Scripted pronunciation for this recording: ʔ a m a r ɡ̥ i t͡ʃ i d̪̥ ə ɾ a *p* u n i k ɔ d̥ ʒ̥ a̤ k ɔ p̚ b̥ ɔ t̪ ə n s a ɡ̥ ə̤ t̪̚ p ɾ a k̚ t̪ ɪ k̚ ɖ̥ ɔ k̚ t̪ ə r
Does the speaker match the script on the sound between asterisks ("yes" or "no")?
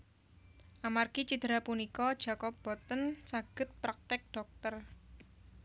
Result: yes